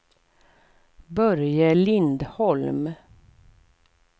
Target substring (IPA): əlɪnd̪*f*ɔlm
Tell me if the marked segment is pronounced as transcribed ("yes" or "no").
no